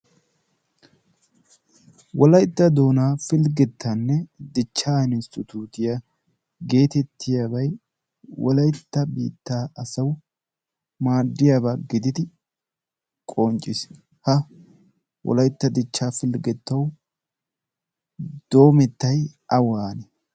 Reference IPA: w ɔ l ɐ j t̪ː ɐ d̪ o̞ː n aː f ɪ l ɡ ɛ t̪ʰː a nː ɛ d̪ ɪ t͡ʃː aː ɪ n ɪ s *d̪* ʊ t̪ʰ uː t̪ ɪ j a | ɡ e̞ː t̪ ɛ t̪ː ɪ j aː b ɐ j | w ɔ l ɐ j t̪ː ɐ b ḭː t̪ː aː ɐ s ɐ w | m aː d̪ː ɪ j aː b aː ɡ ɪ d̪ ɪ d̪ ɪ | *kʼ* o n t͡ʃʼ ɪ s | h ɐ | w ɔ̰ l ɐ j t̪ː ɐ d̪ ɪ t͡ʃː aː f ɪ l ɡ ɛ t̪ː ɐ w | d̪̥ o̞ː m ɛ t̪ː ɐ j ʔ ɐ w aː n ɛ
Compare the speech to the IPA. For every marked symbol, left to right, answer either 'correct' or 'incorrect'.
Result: incorrect: t̪, correct

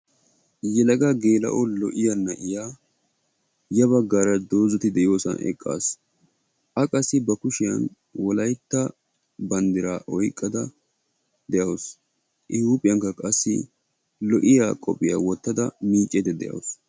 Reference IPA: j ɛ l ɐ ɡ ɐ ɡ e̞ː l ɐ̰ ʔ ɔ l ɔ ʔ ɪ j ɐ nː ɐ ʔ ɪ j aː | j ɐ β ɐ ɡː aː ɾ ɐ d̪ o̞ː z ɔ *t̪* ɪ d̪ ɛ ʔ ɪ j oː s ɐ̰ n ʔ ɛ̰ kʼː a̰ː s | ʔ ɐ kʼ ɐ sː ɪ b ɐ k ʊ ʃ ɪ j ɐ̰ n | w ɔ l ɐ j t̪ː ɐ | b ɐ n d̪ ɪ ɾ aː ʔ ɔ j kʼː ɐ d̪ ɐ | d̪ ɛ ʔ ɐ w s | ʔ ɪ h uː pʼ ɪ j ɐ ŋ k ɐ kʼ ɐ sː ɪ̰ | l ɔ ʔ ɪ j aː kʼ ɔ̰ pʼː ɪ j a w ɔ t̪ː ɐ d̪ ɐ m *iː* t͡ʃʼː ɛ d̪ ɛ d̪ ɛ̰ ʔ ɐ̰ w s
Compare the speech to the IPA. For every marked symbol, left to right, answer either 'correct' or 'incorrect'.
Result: correct, correct

